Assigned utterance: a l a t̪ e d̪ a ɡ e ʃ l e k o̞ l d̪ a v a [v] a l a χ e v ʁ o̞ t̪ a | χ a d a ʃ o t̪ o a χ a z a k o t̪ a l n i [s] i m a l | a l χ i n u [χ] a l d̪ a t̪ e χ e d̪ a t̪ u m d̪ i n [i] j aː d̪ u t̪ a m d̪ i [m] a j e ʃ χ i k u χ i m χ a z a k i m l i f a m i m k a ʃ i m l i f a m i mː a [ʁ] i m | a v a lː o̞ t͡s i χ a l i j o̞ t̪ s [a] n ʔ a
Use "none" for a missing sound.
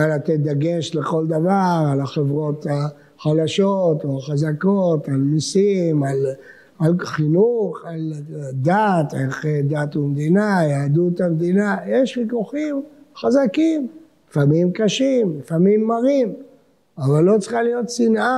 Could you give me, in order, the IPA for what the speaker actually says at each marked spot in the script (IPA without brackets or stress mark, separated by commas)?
ʁ, s, χ, a, n, ʁ, i